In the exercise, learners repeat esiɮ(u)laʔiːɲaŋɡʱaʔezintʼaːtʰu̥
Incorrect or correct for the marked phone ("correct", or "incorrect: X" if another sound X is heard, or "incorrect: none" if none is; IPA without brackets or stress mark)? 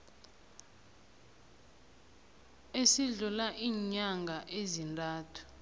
correct